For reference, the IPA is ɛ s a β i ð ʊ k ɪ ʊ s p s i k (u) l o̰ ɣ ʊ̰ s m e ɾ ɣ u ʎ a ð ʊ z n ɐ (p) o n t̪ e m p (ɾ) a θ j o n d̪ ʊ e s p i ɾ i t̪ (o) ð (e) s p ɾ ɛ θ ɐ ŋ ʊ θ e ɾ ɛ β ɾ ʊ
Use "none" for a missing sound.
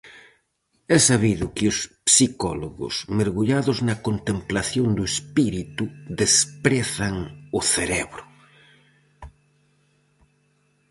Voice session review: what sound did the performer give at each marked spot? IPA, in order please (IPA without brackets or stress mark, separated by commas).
ɔ, k, l, u, e